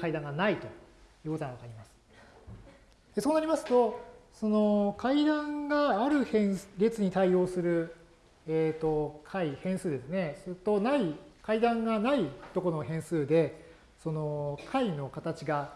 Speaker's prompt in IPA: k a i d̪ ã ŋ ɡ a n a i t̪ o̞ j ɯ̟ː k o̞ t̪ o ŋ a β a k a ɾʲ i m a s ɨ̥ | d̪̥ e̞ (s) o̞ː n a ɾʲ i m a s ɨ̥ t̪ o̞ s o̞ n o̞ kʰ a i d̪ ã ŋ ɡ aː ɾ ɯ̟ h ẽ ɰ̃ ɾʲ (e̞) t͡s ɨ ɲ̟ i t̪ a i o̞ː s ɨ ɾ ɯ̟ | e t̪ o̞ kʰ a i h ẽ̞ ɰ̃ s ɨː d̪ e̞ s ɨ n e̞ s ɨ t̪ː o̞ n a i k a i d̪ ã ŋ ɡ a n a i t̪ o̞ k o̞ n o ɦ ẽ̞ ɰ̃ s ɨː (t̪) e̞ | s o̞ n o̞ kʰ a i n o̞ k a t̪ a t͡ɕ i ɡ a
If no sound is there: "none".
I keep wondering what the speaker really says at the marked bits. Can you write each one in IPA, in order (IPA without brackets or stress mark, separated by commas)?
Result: s, e̞, d̪